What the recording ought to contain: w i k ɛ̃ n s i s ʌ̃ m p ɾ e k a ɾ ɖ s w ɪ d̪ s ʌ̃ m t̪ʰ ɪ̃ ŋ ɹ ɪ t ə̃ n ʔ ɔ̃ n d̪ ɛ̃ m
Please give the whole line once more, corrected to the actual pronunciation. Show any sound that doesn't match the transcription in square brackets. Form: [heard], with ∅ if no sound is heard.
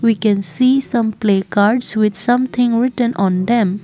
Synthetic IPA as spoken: w i k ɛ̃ n s i s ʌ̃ m p [l] e k a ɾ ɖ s w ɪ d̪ s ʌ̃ m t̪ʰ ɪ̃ ŋ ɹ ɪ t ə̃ n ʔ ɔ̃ n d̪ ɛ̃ m